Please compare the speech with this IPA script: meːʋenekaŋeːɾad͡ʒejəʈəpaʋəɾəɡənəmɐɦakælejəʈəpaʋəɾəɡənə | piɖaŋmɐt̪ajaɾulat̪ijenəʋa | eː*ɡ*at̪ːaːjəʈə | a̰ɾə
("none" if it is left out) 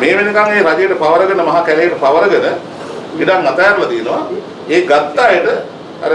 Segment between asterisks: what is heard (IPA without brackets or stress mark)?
ɡ